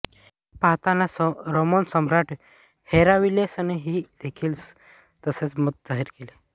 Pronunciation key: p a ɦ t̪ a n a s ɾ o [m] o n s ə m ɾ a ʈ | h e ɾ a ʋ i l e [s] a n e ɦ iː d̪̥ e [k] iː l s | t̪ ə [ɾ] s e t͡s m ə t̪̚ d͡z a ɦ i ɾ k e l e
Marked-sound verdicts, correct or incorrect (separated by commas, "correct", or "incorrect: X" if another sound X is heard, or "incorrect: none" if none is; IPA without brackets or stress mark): correct, correct, incorrect: kʰ, incorrect: none